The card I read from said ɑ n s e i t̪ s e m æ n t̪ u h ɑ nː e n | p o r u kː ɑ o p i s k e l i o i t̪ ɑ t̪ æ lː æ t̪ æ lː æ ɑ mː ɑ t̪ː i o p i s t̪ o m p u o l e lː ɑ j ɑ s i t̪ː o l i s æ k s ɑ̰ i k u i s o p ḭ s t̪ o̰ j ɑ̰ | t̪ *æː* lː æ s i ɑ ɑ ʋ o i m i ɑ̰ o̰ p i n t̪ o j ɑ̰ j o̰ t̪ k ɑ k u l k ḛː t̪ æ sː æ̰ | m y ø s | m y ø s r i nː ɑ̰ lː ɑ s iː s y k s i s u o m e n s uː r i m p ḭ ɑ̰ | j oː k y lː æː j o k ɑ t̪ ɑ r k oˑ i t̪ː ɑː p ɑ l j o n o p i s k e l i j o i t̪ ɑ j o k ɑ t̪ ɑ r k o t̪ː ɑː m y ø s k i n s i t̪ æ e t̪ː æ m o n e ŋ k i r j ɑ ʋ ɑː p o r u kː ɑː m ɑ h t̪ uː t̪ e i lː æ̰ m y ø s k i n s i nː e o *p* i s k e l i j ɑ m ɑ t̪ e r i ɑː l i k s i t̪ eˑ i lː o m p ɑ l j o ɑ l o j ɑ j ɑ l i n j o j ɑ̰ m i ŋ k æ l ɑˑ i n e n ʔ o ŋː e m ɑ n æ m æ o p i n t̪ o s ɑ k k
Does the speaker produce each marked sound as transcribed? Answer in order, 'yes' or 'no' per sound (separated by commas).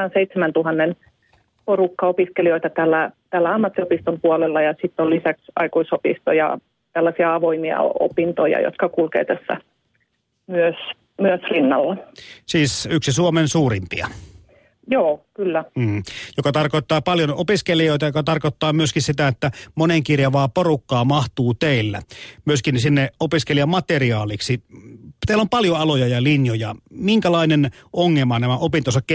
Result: no, yes